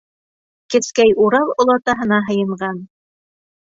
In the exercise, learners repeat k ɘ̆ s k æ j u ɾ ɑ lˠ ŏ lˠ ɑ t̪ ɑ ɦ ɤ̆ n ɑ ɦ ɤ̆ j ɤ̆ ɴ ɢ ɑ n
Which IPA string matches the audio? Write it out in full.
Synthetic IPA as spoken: k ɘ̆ s k æ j u ɾ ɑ lˠ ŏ lˠ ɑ t̪ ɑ ɦ ɤ̆ n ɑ ɦ ɤ̆ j ɤ̆ ɴ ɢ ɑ n